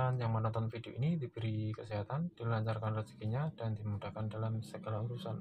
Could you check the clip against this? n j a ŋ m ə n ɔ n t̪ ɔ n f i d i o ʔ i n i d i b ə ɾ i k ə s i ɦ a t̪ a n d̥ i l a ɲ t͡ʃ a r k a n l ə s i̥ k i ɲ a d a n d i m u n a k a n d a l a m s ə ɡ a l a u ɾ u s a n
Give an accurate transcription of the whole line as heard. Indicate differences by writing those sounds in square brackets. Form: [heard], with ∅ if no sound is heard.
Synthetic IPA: n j a ŋ m ə n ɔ n t̪ ɔ n f i d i o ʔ i n i d i b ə ɾ i k ə s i ɦ a t̪ a n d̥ i l a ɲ t͡ʃ a r k a n [r] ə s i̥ k i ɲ a d a n d i m u [d] a k a n d a l a m s ə ɡ a l a u ɾ u s a n